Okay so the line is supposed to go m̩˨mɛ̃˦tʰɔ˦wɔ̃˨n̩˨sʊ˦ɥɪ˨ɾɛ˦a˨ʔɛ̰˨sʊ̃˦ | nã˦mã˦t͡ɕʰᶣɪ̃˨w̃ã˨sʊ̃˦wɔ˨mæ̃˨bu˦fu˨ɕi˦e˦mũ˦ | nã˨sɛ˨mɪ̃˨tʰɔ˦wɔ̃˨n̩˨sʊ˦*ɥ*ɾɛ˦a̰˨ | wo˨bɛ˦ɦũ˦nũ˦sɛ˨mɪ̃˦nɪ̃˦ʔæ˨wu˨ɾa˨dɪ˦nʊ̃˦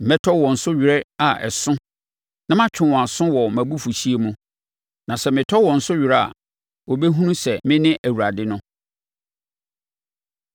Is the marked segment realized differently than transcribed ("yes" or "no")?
no